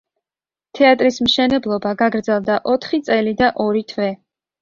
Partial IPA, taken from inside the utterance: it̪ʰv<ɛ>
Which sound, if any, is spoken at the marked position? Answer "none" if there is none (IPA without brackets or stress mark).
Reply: ɛ